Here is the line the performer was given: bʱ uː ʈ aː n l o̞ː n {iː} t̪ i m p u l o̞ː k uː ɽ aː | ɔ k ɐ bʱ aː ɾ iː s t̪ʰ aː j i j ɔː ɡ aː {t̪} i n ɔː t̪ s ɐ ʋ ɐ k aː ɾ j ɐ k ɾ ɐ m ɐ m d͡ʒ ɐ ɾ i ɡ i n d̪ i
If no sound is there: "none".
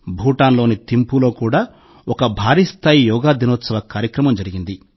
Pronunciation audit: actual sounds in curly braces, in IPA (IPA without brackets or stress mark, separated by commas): i, d̪